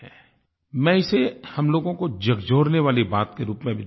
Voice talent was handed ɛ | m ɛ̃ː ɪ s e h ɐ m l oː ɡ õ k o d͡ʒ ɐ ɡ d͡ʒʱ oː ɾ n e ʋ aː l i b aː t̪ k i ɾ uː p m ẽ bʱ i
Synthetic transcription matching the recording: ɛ | m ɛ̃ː ɪ s e h ɐ m l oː ɡ õ k o d͡ʒ ɐ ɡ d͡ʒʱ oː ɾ n e ʋ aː l i b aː t̪ k e ɾ uː p m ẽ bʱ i